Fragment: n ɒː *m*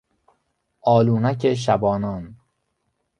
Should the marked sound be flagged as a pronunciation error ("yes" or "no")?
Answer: yes